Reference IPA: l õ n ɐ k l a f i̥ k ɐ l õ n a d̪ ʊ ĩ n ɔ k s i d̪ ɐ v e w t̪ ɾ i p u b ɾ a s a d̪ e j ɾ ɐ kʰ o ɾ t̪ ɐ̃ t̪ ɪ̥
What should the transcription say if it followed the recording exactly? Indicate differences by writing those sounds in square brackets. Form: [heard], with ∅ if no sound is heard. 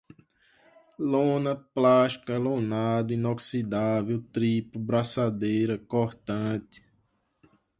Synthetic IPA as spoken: l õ n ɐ [p] l a [ʃ] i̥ k ɐ l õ n a d̪ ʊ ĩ n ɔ k s i d̪ [a] v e w t̪ ɾ i p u b ɾ a s a d̪ e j ɾ ɐ [k] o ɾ t̪ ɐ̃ t̪ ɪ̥